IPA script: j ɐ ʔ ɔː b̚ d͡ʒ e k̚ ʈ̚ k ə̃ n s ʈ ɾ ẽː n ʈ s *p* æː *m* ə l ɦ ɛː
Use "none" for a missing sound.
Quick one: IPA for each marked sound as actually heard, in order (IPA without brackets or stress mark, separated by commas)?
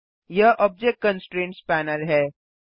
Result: p, n